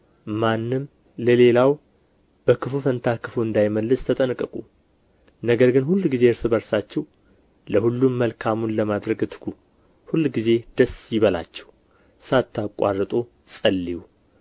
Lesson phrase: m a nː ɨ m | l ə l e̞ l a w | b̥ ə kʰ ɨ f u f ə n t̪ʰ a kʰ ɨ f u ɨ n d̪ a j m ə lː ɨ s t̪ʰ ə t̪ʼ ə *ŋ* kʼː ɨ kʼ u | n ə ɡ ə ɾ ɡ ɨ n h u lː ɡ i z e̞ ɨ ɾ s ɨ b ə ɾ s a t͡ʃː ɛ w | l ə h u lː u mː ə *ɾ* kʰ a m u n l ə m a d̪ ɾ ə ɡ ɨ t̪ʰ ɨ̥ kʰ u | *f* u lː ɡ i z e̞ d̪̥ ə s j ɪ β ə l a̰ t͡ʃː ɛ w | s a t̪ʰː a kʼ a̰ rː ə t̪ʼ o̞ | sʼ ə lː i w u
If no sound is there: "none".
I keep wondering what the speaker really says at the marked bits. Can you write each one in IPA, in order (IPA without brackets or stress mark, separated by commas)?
n, l, h